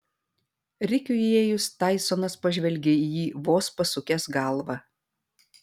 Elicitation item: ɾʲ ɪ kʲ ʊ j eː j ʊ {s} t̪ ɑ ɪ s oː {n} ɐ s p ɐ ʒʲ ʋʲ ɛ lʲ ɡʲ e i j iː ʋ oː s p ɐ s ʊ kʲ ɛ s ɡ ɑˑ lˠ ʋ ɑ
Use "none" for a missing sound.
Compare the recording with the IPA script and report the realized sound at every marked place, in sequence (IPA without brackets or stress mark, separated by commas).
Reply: s, n